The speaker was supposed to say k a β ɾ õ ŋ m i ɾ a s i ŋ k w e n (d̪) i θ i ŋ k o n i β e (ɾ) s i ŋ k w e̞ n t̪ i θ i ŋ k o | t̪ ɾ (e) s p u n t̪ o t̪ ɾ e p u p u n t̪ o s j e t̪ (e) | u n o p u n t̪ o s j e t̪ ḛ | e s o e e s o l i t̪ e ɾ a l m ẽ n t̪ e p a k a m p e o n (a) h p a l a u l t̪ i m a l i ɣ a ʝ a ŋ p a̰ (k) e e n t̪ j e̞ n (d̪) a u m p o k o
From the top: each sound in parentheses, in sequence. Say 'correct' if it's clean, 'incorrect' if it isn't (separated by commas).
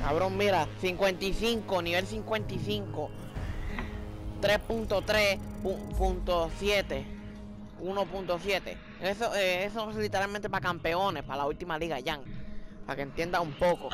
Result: incorrect, incorrect, correct, correct, incorrect, correct, correct